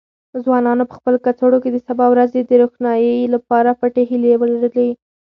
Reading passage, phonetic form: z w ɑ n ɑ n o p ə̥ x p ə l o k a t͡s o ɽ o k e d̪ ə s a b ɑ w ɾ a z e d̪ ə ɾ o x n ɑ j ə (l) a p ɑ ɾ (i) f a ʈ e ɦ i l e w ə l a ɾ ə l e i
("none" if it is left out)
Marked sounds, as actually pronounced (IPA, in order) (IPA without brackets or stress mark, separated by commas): l, a